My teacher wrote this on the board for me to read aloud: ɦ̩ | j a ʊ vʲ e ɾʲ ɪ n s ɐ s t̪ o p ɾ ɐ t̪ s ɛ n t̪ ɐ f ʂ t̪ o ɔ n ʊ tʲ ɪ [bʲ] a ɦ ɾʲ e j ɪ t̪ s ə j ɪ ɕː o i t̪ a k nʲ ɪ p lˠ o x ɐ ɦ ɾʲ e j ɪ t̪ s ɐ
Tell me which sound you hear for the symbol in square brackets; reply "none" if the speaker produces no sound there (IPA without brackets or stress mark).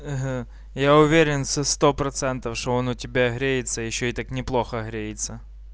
bʲ